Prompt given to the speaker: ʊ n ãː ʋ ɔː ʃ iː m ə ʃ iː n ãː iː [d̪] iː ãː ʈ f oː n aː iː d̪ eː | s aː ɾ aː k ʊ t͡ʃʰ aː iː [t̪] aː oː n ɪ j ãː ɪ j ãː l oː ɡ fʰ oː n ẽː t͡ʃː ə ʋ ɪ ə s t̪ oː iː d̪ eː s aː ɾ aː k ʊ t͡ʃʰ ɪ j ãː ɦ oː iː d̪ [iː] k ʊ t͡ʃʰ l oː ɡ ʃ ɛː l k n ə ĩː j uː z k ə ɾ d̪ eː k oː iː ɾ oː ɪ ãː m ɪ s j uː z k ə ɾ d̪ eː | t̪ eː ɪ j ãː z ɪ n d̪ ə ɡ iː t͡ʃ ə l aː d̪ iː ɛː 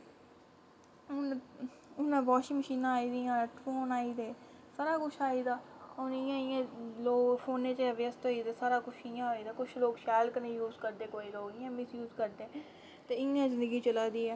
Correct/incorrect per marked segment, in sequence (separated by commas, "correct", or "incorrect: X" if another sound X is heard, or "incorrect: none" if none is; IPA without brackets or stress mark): correct, incorrect: d̪, incorrect: aː